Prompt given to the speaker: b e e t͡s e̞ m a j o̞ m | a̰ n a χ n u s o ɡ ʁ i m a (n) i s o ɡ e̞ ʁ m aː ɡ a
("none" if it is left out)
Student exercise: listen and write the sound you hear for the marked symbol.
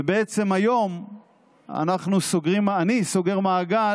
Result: n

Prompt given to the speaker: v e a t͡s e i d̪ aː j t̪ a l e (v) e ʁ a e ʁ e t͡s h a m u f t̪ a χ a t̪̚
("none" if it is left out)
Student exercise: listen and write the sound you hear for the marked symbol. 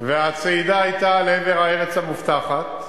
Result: v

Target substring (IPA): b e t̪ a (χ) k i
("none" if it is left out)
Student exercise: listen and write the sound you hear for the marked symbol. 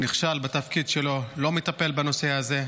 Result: f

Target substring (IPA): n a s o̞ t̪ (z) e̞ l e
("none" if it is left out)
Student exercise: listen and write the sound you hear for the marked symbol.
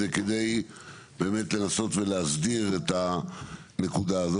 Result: v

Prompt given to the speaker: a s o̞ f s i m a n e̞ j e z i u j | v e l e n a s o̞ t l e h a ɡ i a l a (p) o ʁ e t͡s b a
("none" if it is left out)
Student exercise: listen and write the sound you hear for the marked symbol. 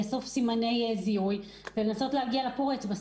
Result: p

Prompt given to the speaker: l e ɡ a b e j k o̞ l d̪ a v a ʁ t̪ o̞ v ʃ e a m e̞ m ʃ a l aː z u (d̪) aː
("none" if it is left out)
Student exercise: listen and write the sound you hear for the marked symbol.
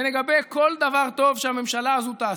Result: t̪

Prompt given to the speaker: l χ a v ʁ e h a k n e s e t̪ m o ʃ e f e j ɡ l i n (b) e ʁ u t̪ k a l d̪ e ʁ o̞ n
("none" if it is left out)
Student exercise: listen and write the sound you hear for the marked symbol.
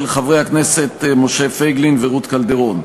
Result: v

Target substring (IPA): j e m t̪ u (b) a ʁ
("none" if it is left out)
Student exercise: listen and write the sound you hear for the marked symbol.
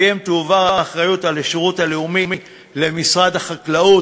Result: v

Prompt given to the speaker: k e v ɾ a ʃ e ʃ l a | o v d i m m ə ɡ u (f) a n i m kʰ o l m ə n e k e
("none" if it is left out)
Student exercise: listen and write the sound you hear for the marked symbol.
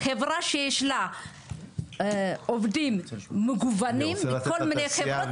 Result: v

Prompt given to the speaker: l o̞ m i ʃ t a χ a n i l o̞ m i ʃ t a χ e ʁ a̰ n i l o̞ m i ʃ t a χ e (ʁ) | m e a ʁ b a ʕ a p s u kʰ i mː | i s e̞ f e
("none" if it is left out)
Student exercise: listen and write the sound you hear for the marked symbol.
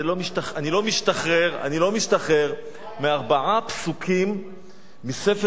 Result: ʁ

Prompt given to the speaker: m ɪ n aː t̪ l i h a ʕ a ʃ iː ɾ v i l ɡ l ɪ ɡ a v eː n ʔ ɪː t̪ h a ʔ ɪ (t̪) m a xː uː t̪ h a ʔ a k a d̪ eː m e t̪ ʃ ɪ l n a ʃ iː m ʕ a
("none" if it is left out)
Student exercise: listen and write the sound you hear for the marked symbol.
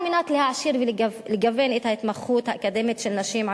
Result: t̪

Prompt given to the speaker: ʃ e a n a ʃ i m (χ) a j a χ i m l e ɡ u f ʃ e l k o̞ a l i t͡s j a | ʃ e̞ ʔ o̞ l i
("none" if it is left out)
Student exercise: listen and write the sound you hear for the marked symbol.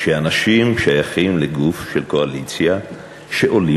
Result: ʃ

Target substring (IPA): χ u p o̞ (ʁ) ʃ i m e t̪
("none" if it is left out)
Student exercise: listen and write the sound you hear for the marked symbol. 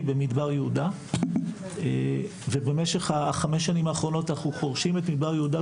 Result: ʁ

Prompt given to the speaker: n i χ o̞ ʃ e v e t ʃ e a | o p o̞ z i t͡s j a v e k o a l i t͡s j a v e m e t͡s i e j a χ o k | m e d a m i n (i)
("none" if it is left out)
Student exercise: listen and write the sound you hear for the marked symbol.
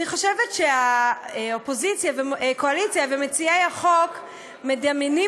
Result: i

